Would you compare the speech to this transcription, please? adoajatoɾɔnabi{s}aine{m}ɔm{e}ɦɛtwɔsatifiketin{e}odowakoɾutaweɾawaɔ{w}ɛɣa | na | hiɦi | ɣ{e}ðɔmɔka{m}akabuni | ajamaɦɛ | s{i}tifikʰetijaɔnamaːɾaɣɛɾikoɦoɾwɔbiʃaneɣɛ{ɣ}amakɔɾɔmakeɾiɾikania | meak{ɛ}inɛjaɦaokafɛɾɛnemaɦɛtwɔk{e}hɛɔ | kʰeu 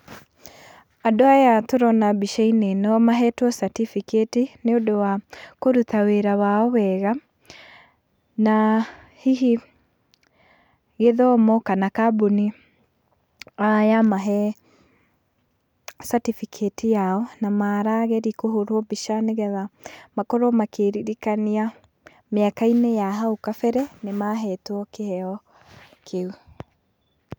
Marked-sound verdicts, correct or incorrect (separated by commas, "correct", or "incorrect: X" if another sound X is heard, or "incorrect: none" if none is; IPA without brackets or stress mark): incorrect: ʃ, incorrect: n, incorrect: a, correct, correct, correct, incorrect: n, incorrect: a, incorrect: ð, incorrect: a, correct